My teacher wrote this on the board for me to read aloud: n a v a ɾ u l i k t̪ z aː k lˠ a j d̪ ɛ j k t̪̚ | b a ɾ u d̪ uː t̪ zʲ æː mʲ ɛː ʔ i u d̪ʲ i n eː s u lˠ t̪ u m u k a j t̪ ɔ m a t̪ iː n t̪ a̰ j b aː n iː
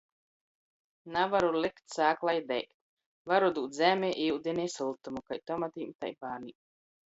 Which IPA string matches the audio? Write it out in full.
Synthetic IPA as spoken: n a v a ɾ u l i k t̪ s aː k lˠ a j d̪ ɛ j k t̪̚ | v a ɾ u d̪ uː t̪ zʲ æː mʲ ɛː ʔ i u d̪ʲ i n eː s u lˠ t̪ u m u k a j t̪ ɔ m a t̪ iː m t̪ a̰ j b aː n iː